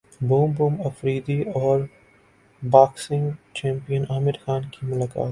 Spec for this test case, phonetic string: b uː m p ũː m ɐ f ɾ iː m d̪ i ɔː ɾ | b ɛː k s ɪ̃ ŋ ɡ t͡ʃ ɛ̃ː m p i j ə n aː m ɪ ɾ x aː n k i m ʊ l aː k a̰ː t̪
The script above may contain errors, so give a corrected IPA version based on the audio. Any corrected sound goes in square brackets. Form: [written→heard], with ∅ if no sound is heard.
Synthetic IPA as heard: b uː m [p→b] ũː m ɐ f ɾ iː [m→∅] d̪ i ɔː ɾ | b [ɛː→aː] k s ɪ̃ ŋ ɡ t͡ʃ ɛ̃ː m p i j ə n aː m ɪ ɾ x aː n k i m ʊ l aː k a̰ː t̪